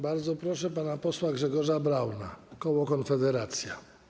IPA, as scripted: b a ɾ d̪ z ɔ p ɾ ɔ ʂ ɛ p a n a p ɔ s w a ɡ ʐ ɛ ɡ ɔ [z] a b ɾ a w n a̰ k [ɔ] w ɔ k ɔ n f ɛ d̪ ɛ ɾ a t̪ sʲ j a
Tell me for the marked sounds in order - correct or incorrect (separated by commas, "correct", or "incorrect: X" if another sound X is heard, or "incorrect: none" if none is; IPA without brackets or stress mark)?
incorrect: ʐ, correct